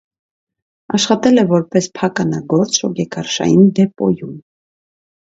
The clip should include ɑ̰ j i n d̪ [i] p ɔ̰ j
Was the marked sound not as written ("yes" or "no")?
yes